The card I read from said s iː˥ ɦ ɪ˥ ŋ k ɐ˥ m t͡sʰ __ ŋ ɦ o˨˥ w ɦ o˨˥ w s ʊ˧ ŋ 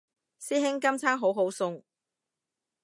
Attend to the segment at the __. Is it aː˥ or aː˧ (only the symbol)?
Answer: aː˥